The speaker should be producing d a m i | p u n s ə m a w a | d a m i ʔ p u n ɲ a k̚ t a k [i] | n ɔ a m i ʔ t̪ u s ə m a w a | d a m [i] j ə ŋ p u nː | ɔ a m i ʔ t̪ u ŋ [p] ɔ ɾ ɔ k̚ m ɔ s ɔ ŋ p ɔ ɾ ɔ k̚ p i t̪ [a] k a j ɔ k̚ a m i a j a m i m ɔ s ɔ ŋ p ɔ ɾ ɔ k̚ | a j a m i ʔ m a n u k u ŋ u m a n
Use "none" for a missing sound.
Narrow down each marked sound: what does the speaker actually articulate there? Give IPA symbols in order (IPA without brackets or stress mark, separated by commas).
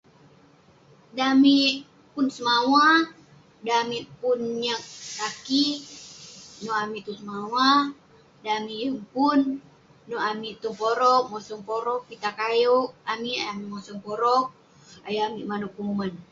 i, i, p, a